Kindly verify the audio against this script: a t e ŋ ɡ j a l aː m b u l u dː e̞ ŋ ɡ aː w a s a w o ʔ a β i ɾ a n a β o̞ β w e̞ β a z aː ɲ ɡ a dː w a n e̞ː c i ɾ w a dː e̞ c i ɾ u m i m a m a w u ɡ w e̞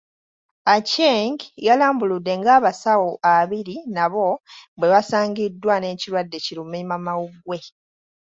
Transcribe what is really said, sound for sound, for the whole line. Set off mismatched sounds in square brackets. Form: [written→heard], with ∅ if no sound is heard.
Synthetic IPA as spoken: a [t→c] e ŋ ɡ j a l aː m b u l u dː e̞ ŋ ɡ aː [w→β] a s a w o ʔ a β i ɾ [a→i] n a β o̞ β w e̞ β a [z→s] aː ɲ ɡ [a→i] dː w a n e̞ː c i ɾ w a dː e̞ c i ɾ u m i m a m a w u ɡ w e̞